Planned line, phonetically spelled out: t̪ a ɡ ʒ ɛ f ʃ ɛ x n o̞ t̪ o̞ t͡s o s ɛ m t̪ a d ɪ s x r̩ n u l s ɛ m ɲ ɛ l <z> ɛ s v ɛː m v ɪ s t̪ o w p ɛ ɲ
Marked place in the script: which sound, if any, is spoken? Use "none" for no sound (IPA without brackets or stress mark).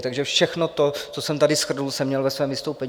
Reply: v